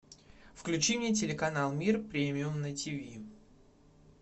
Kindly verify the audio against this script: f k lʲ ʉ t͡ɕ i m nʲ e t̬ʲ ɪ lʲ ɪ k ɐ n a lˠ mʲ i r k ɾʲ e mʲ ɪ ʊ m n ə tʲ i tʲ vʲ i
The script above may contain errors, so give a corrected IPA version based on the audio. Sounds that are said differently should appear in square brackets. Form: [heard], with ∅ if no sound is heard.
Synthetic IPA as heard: f k lʲ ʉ t͡ɕ i m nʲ e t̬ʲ ɪ lʲ ɪ k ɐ n a lˠ mʲ i r [p] ɾʲ e mʲ ɪ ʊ m n ə tʲ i [∅] vʲ i